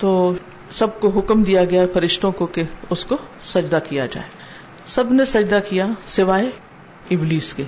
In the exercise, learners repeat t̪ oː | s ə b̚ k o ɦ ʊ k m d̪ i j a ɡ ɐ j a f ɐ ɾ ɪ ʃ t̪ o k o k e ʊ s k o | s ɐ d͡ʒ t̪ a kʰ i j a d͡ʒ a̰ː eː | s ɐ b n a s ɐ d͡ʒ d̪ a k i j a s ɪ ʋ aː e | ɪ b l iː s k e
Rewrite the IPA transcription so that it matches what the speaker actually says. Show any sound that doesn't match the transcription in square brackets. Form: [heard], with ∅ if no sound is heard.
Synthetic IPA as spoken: t̪ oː | s [ɐ] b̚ k o ɦ ʊ k m d̪ i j a ɡ ɐ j a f ɐ ɾ ɪ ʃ t̪ [õ] k o k e ʊ s k o | s ɐ d͡ʒ [d̪] a [k] i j a d͡ʒ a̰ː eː | s ɐ b n [e] s ɐ d͡ʒ d̪ a k i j a s ɪ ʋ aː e | ɪ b l iː s k e